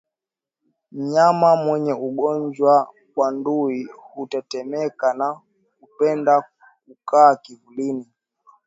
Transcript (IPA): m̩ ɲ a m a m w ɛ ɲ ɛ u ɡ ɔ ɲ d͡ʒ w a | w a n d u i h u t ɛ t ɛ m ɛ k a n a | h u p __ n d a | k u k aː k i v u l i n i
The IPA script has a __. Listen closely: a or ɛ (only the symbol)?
ɛ